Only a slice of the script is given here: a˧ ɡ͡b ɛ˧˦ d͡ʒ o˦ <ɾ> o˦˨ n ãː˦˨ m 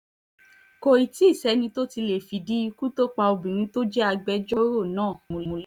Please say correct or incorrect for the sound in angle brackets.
correct